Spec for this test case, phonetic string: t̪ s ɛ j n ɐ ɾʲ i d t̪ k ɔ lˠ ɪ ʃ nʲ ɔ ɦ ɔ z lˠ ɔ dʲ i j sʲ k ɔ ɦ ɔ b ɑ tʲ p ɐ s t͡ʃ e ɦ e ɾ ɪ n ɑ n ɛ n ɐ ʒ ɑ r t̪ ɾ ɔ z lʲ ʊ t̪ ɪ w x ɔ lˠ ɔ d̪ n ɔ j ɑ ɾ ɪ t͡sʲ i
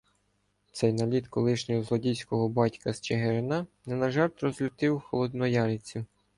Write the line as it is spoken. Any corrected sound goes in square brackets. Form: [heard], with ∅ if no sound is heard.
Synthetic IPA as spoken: t̪ s ɛ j n ɐ [lʲ] i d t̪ k ɔ lˠ ɪ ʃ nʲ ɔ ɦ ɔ z lˠ ɔ dʲ i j sʲ k ɔ ɦ ɔ b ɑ tʲ [k] ɐ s t͡ʃ e ɦ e ɾ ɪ n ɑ n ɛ n ɐ ʒ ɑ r t̪ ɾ ɔ z lʲ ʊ t̪ ɪ w x ɔ lˠ ɔ d̪ n ɔ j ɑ ɾ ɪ t͡sʲ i